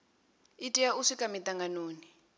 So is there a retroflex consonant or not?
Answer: yes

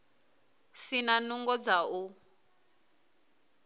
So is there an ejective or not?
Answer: no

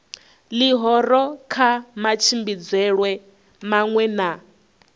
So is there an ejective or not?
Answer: no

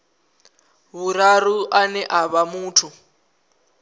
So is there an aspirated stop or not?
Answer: yes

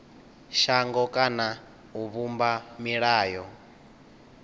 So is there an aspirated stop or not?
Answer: no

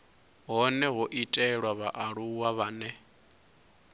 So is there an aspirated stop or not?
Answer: no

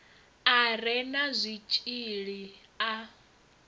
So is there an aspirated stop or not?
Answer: no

